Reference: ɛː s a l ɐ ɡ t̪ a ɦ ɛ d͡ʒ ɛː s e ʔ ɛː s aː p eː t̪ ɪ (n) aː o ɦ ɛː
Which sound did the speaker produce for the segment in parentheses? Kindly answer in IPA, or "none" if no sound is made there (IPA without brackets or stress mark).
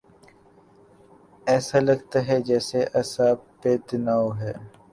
n